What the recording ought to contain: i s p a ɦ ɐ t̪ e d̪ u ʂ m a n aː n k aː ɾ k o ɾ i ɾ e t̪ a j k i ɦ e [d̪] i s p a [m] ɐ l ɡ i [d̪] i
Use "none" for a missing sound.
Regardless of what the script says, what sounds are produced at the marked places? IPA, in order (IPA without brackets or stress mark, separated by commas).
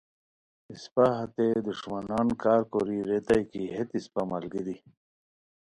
t̪, m, d̪